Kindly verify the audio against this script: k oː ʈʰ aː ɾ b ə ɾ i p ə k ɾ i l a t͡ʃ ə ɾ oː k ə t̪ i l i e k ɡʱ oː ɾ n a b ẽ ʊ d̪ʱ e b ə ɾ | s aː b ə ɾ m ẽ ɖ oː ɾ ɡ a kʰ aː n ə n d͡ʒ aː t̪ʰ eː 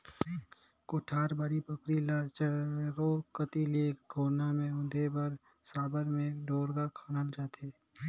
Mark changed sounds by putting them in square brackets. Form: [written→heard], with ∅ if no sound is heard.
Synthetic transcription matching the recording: k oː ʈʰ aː ɾ b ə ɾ i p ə k ɾ i l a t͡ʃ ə ɾ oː k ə t̪ i l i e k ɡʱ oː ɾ n a [b→m] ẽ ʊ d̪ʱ e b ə ɾ | s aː b ə ɾ m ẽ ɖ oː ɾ ɡ a kʰ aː n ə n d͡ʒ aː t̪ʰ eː